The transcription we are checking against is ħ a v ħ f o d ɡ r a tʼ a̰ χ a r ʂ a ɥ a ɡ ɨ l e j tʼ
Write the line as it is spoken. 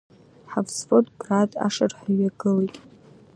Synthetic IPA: ħ a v s f o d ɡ r a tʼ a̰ ʂ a r ħ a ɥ a ɡ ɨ l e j tʼ